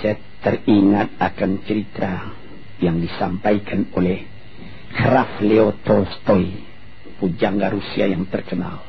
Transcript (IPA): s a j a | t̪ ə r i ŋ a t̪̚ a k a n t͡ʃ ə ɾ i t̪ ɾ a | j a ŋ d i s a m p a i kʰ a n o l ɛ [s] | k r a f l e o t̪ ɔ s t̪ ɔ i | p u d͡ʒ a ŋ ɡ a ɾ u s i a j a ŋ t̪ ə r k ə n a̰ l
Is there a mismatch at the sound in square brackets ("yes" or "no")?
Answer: yes